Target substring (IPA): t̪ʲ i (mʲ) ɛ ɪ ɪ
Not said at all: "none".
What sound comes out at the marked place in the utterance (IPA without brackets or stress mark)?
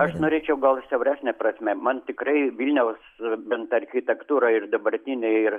nʲ